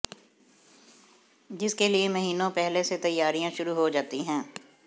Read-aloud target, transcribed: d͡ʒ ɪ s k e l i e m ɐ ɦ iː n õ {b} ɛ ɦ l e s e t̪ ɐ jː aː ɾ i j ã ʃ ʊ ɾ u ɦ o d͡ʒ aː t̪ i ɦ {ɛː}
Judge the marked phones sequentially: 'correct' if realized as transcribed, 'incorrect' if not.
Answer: incorrect, incorrect

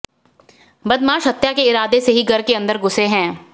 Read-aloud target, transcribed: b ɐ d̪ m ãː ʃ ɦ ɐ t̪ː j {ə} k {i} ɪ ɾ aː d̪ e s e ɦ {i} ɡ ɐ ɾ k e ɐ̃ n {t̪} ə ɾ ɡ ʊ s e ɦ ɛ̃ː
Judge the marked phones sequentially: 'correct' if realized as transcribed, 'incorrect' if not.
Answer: incorrect, incorrect, correct, incorrect

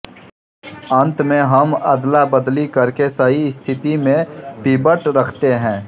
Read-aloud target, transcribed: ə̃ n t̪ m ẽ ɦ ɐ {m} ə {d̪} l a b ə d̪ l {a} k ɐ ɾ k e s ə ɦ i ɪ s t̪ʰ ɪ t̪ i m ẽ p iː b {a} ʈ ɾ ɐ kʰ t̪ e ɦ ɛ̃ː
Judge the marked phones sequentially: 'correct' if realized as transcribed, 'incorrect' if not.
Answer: correct, correct, incorrect, incorrect

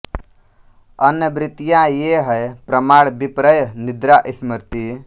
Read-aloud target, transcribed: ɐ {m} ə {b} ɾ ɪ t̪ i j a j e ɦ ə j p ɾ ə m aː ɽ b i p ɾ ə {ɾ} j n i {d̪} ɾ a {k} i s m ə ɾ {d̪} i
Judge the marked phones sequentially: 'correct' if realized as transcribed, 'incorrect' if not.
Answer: incorrect, correct, incorrect, correct, incorrect, incorrect

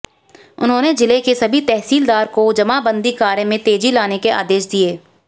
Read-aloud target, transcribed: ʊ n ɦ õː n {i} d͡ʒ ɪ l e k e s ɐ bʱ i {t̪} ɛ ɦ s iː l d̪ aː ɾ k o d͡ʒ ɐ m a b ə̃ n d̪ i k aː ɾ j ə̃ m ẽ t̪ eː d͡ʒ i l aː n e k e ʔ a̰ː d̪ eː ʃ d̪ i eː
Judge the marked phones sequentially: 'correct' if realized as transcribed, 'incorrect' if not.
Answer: incorrect, correct

